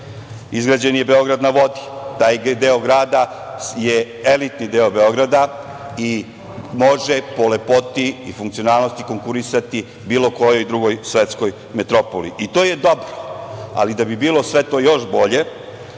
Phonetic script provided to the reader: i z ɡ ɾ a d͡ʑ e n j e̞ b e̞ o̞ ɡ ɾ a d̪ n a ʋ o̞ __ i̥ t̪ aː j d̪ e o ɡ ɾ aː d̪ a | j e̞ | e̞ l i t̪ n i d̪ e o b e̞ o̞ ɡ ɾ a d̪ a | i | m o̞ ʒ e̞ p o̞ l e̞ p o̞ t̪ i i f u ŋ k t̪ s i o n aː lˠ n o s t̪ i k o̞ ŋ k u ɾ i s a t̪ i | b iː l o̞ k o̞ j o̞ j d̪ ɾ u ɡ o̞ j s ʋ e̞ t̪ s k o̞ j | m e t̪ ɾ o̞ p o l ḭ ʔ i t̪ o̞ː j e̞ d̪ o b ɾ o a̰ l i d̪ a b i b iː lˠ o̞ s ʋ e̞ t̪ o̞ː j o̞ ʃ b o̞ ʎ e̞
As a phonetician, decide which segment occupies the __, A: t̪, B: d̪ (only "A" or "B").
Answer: B